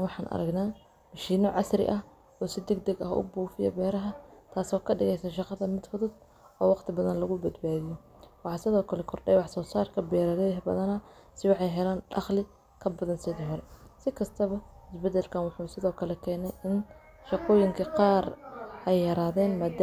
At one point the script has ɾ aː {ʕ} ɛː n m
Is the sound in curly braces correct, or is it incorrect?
incorrect